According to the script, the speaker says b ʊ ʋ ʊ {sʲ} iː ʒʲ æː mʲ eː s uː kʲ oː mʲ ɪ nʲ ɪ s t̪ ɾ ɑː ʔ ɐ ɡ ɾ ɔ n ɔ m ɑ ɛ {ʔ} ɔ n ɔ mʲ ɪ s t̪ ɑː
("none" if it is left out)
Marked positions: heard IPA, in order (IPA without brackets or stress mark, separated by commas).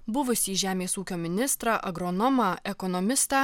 sʲ, k